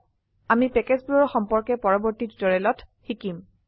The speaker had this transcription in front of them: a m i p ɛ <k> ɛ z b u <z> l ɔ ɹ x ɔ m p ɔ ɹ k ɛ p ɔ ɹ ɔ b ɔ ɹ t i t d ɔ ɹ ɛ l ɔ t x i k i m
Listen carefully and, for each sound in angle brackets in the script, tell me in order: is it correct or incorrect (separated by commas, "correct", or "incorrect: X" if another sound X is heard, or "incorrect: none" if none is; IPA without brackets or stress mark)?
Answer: correct, incorrect: none